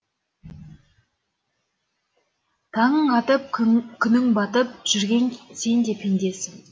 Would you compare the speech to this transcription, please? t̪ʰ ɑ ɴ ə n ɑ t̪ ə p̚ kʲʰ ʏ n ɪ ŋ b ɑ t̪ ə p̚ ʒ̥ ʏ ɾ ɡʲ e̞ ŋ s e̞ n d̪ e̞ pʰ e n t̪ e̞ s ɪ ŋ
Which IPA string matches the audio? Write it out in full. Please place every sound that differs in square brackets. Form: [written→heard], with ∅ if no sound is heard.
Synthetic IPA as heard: t̪ʰ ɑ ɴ ə [n→ɴ] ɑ t̪ ə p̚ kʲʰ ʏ n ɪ ŋ b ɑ t̪ ə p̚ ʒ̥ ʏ ɾ ɡʲ e̞ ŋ s e̞ n d̪ e̞ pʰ e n [t̪→d̪] e̞ s ɪ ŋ